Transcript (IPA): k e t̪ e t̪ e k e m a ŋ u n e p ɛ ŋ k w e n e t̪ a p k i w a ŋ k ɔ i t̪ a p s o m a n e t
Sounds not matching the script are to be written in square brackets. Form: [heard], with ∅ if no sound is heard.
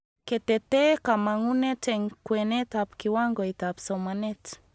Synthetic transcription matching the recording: k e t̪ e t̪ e k [a] m a ŋ u n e [t] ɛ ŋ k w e n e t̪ a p k i w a ŋ [ɡ] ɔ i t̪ a p s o m a n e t